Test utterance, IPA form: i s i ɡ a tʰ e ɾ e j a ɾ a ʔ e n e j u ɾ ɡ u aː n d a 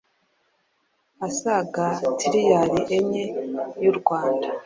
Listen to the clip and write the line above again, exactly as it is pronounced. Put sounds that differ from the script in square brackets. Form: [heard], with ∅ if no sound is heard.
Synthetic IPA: [a] s [a] ɡ a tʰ [i] ɾ [i] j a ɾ [i] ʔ e [ɲ] e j u ɾ ɡ [w] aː n d a